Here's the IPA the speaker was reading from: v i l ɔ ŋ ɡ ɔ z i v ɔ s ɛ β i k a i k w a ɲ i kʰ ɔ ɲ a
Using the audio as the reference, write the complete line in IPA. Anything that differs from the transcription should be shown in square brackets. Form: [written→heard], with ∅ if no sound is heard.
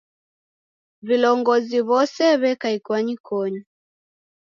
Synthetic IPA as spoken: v i l ɔ ŋ ɡ ɔ z i [v→β] ɔ s ɛ β [i→ɛ] k a i k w a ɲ i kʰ ɔ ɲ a

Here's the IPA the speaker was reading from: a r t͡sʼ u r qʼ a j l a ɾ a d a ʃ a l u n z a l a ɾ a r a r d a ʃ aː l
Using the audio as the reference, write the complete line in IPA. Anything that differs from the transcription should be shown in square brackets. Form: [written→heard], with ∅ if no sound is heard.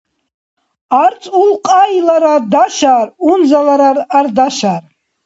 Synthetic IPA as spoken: a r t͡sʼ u [r→l] qʼ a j l a ɾ a d a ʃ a [l→r] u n z a l a ɾ a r a r d a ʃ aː [l→r]

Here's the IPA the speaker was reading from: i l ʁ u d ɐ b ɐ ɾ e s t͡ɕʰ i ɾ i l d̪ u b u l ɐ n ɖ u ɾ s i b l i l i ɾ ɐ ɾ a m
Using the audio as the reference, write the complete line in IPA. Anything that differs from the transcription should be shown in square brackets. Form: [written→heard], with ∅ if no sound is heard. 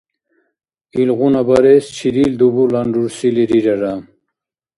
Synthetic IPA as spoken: i l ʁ u [d→n] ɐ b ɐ ɾ e s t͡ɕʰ i ɾ i l d̪ u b u l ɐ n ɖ u ɾ s i [b→∅] l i [l→ɾ] i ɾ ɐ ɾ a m

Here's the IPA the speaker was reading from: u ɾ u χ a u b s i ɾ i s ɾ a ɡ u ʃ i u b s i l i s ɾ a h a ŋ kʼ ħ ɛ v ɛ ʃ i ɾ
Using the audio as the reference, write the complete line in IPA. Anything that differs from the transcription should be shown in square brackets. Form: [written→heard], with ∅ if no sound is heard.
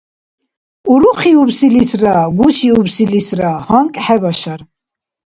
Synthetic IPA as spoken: u ɾ u χ [a→i] u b s i [ɾ→l] i s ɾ a ɡ u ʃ i u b s i l i s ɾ a h a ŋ kʼ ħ ɛ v [ɛ→a] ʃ [i→a] ɾ

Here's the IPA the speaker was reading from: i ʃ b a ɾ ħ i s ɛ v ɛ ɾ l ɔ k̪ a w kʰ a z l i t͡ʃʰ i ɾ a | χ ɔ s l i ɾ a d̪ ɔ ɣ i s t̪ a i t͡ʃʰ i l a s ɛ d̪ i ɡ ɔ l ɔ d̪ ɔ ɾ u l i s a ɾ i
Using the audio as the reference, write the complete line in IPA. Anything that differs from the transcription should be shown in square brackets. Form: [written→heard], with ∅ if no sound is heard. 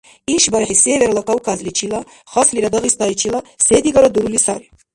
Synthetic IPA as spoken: i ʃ b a ɾ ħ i s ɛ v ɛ ɾ l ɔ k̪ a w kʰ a z l i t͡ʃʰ i [ɾ→l] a | χ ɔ s l i ɾ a d̪ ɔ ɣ i s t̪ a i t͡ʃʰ i l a s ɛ d̪ i ɡ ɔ [l→ɾ] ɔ d̪ [ɔ→u] ɾ u l i s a ɾ i

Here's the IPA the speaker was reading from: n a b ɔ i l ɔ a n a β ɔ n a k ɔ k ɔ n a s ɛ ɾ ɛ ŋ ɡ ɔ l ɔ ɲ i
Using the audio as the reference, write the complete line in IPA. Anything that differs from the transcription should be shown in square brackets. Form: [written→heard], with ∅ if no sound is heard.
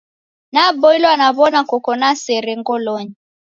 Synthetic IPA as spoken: n a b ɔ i l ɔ a n a β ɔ n a k ɔ k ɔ n a s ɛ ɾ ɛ ŋ ɡ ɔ l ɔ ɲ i

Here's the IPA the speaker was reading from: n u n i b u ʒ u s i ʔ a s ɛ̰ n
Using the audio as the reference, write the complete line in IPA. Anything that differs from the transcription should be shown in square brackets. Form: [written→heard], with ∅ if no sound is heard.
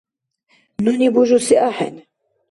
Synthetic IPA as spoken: n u n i b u ʒ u s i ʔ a [s→ħ] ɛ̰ n

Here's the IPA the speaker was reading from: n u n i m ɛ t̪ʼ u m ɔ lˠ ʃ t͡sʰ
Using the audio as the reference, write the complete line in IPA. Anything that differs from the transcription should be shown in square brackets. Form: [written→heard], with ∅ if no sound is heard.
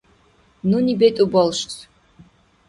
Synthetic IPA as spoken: n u n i [m→b] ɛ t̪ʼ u [m→b] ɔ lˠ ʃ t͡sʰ

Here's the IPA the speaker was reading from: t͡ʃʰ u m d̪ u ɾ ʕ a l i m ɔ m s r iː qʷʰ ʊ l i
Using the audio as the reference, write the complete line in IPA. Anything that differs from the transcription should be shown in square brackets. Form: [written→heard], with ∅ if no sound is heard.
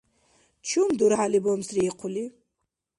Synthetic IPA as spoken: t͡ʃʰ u m d̪ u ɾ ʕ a l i [m→b] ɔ m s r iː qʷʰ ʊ l i

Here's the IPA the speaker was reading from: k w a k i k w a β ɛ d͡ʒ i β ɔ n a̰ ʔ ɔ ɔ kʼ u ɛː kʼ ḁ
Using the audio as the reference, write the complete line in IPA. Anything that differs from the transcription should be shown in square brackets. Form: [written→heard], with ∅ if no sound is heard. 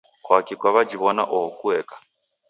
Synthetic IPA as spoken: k w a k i k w a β [ɛ→a] d͡ʒ i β ɔ n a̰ ʔ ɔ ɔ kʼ u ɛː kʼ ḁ

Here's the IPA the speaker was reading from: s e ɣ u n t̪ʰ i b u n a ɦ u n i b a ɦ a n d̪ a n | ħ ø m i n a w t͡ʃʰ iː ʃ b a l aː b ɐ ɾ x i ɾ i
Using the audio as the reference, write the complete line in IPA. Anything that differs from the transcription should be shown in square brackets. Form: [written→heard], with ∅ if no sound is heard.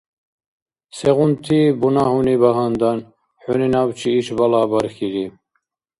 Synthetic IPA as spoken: s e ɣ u n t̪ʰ i b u n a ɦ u n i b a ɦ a n d̪ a n | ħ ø [m→n] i n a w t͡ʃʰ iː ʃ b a l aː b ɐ ɾ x i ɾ i

